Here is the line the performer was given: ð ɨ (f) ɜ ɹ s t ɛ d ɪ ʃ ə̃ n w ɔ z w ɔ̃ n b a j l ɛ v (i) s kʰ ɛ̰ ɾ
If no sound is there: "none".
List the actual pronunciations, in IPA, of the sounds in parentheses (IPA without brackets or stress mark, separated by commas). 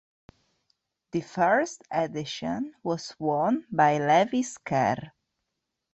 f, i